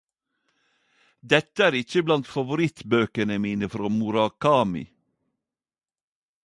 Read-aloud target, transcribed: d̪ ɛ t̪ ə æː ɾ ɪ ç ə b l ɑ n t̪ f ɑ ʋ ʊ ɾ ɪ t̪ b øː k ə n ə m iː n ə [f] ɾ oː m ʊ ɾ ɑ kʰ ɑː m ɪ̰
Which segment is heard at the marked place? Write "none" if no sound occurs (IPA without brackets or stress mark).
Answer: f